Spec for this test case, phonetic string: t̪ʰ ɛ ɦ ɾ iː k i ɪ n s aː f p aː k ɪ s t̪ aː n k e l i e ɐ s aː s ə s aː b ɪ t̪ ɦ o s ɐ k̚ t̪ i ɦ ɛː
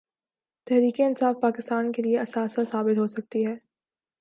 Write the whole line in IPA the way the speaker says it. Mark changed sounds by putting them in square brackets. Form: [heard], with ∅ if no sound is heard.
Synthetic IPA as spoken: [t̪] ɛ ɦ ɾ iː k [e] ɪ n s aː f p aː k ɪ s t̪ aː n k e l i e ɐ s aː s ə s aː b ɪ t̪ ɦ o s ɐ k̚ t̪ i ɦ ɛː